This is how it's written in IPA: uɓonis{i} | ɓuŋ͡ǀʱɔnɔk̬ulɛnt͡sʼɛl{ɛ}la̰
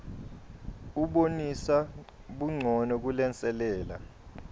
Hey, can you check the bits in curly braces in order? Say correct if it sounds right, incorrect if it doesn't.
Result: incorrect, incorrect

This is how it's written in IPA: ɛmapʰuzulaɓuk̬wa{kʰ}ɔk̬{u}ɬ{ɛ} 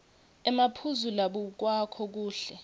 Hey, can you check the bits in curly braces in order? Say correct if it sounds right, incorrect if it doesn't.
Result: correct, incorrect, correct

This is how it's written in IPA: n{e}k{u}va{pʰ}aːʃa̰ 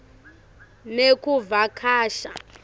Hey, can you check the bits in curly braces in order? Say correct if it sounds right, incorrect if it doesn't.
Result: correct, correct, incorrect

